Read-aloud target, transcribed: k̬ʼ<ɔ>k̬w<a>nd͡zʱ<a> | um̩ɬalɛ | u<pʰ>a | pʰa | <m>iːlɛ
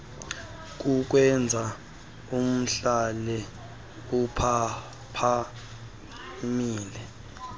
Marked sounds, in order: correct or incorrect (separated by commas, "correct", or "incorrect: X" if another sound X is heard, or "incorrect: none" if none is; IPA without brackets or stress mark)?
incorrect: u, incorrect: ɛ, correct, correct, correct